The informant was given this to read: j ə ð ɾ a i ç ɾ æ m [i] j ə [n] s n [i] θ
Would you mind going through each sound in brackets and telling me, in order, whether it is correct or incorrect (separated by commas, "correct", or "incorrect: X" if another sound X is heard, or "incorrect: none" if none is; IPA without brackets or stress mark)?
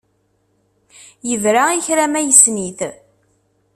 incorrect: æ, incorrect: none, correct